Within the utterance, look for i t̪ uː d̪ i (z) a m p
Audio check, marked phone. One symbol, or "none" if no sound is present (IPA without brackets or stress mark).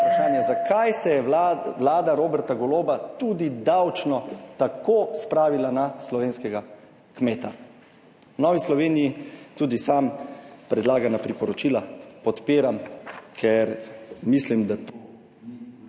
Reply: s